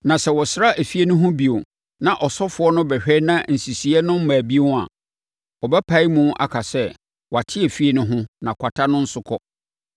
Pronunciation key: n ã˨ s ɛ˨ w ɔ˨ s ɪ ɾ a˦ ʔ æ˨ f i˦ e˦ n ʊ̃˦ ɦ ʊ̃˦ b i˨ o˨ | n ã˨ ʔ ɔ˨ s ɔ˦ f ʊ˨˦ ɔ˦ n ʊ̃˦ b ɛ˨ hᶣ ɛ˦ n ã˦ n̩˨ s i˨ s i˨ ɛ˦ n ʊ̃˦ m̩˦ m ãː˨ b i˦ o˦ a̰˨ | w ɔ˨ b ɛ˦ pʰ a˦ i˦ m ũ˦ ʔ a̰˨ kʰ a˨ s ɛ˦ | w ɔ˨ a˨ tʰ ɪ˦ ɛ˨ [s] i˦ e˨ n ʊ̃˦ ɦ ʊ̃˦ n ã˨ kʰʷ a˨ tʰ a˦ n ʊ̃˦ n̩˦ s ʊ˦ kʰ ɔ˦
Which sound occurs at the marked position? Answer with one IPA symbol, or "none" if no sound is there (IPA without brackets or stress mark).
f